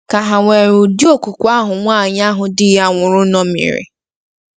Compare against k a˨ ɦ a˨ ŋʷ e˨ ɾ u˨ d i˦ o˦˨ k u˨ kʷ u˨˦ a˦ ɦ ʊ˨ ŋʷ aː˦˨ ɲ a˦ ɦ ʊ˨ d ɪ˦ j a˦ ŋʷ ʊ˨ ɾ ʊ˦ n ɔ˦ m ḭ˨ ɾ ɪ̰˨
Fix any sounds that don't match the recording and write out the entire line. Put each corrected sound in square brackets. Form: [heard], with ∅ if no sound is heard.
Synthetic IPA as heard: k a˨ ɦ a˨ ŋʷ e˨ ɾ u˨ d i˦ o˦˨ k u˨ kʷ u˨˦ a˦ ɦ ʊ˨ ŋʷ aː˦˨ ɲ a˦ ɦ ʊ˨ d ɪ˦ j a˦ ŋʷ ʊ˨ ɾ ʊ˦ n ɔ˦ m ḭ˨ ɾ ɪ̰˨